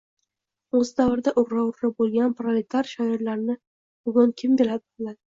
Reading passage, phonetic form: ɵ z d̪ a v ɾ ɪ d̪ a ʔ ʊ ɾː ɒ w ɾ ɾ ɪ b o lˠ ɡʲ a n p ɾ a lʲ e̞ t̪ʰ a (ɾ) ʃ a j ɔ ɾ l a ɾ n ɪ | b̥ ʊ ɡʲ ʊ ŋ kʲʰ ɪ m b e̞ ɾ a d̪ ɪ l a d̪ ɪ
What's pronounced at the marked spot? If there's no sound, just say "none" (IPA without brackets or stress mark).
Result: ɾ